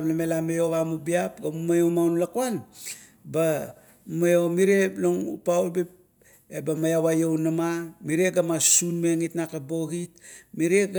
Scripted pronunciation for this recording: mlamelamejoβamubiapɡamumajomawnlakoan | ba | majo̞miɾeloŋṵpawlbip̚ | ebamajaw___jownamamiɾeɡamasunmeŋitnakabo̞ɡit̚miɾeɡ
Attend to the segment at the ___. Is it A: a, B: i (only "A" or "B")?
A